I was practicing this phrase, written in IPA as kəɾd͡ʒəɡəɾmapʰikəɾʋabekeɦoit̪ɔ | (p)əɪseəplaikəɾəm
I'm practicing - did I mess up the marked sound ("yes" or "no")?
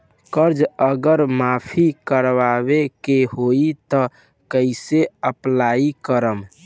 yes